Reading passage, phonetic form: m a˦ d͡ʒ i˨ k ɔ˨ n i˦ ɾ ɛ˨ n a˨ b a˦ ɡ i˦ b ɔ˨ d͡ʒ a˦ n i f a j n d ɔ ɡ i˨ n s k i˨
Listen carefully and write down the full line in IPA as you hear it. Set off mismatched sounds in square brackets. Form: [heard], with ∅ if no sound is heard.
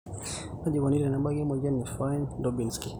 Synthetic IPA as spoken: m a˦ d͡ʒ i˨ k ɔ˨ n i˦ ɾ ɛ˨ n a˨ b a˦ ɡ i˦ [m] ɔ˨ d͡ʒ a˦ n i f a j n d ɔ [b] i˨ n s k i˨